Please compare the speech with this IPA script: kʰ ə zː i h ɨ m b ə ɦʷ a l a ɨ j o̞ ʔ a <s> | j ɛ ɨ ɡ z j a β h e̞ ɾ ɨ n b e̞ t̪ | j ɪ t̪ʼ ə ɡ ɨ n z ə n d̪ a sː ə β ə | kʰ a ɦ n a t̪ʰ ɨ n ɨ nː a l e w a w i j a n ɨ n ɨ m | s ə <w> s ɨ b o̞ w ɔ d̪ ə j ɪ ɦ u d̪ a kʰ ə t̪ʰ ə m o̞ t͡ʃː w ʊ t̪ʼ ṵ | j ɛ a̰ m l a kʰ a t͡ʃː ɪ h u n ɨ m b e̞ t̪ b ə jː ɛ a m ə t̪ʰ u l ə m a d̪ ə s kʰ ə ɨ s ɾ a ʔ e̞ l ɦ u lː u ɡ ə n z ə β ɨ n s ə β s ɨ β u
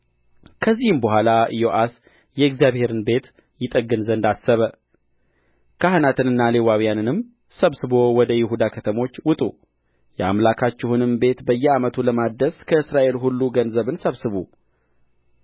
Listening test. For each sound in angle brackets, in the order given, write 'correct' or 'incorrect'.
correct, incorrect: β

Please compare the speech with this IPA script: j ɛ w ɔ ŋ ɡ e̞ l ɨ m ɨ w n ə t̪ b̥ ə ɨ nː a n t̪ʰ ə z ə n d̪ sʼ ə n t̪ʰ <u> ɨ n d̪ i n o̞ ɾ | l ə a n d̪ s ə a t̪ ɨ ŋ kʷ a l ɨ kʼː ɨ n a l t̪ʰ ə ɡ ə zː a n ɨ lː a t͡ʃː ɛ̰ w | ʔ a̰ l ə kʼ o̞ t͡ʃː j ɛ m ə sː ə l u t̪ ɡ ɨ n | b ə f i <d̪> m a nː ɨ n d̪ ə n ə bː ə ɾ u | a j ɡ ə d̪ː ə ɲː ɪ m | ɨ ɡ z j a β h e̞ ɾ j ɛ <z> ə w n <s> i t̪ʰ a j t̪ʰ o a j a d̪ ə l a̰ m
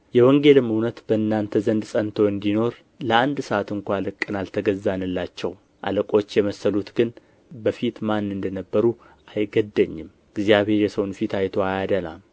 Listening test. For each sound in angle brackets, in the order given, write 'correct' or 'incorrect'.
incorrect: o, incorrect: t̪, incorrect: s, incorrect: f

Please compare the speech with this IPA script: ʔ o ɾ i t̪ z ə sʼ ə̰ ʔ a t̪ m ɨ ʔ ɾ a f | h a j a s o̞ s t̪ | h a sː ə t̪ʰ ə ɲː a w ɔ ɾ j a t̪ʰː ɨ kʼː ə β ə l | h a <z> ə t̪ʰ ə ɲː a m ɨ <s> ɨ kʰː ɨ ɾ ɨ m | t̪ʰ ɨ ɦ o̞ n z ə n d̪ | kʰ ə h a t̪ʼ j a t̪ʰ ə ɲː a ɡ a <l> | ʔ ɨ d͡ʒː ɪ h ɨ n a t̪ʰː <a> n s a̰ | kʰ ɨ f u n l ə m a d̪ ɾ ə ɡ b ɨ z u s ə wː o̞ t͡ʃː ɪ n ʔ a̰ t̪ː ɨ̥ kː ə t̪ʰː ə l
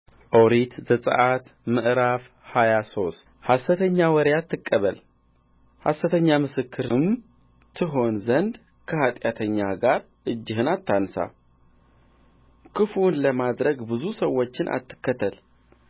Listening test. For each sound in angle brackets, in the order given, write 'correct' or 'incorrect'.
incorrect: s, correct, incorrect: ɾ, correct

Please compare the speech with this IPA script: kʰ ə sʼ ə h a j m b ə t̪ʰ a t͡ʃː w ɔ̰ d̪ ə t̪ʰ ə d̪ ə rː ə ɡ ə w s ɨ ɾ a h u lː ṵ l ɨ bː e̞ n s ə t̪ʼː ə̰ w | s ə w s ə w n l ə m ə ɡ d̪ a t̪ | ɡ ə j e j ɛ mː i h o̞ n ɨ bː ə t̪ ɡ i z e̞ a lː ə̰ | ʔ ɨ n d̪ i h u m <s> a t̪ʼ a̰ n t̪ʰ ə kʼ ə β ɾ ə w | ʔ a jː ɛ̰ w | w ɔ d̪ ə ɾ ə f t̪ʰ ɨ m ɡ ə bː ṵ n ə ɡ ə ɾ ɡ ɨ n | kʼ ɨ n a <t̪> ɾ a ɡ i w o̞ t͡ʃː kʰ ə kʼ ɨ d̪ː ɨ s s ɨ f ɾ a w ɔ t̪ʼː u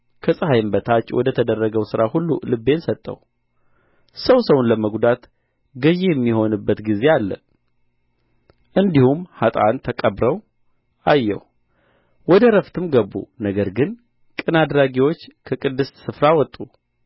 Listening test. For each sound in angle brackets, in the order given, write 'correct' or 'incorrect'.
incorrect: h, incorrect: d̪

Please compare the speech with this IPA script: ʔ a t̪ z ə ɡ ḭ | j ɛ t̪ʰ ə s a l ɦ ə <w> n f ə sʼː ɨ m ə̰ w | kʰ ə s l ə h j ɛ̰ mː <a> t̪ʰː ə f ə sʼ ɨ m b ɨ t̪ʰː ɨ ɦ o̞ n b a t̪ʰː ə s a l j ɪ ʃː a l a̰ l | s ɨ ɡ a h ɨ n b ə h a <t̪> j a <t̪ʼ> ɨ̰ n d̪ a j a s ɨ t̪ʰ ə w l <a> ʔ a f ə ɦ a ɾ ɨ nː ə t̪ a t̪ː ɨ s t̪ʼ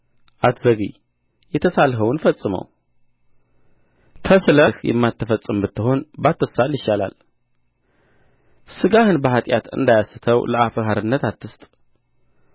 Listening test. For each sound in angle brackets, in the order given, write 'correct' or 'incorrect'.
correct, correct, incorrect: t̪ʼ, incorrect: t̪, incorrect: ə

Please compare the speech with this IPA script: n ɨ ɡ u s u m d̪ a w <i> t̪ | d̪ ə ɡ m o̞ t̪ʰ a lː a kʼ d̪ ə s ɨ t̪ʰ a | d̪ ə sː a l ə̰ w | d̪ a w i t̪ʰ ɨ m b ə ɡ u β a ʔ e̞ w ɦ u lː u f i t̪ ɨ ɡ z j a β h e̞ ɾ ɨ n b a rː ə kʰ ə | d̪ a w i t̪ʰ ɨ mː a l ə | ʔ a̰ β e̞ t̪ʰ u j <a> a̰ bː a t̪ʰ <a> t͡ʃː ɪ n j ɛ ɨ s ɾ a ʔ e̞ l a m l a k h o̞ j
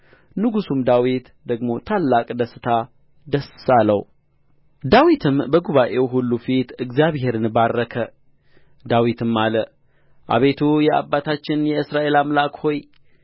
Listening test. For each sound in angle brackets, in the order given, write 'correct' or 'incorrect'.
correct, incorrect: ɛ, correct

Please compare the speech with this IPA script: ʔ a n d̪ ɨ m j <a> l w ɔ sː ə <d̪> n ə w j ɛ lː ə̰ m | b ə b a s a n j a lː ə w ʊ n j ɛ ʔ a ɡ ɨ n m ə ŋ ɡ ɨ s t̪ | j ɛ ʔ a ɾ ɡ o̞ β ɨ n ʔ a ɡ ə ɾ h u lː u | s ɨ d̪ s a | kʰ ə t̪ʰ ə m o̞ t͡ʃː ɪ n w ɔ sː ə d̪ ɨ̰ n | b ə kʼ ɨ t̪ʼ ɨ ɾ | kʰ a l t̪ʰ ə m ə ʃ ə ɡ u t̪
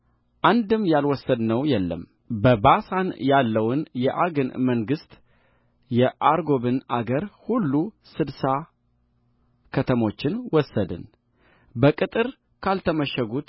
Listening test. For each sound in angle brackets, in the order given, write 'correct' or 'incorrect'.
correct, correct

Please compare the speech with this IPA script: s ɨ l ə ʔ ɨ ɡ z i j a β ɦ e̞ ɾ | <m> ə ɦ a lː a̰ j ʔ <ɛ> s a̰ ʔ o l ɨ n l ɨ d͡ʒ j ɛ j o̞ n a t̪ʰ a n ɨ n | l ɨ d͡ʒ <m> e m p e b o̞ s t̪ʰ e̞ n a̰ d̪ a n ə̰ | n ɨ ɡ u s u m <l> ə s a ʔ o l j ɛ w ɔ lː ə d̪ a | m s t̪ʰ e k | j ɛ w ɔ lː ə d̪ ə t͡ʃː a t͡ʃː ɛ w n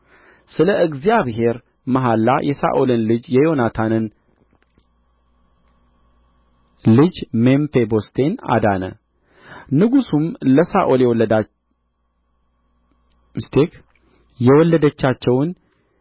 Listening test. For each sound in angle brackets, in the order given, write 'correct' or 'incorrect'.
correct, correct, correct, correct

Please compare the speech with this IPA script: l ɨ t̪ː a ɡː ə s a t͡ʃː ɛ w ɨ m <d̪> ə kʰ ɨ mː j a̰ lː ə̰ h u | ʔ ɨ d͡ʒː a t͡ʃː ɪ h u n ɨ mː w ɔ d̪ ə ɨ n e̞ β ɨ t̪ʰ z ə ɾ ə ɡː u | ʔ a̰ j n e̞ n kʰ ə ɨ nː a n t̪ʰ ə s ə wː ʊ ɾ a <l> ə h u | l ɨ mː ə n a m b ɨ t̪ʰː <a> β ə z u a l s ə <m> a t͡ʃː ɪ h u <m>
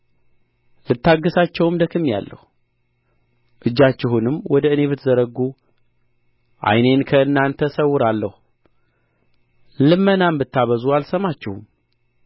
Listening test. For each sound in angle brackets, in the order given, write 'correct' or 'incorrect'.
correct, incorrect: lː, correct, correct, correct

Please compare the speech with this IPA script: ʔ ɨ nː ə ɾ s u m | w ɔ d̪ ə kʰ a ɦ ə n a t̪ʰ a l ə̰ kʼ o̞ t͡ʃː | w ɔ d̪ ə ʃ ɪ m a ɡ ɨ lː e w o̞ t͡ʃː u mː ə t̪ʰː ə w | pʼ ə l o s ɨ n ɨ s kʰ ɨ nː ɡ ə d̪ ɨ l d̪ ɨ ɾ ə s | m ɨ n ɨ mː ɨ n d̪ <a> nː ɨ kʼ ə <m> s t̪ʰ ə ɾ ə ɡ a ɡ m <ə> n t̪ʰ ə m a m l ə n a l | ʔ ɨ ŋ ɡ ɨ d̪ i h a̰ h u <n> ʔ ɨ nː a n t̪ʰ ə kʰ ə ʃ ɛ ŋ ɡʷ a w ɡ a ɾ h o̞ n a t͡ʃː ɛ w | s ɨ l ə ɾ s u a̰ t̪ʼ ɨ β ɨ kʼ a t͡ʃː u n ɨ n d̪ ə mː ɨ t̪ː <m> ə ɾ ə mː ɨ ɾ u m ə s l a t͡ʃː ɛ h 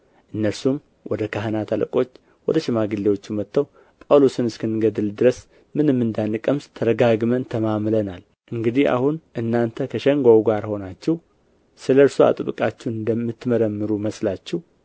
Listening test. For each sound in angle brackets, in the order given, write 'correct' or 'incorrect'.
correct, correct, correct, correct, correct

